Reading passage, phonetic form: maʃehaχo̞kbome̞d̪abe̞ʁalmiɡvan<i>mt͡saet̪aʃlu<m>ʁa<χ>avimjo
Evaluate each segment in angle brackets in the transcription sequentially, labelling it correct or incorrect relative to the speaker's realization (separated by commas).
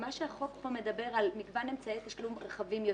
incorrect, correct, correct